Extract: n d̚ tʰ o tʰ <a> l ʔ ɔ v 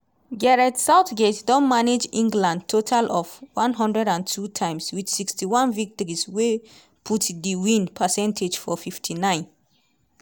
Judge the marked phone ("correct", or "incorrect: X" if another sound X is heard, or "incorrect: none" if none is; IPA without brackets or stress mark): correct